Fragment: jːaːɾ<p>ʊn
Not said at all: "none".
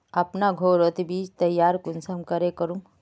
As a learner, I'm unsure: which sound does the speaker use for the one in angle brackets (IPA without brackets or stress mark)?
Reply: k